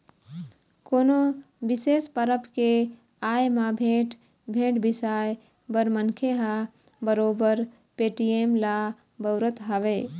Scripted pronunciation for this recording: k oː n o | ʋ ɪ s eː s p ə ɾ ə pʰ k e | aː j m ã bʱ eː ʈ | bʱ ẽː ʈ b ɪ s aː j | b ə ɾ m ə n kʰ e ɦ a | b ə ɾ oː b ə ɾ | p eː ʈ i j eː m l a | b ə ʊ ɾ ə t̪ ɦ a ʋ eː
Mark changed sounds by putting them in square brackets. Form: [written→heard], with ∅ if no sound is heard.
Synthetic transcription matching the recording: k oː n o | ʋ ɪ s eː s p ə ɾ ə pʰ k e | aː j m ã bʱ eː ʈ | bʱ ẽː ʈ b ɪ s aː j | b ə ɾ m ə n kʰ e ɦ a | b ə ɾ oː b ə ɾ | p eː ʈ i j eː m l a | b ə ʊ ɾ ə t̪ ɦ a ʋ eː